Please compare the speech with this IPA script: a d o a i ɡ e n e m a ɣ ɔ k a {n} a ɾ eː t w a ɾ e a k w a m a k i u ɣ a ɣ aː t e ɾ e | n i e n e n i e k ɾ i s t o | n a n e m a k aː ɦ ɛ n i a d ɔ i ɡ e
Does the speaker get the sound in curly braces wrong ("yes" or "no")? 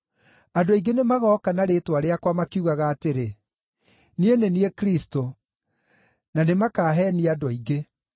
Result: no